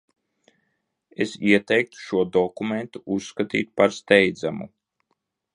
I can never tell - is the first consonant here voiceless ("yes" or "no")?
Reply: yes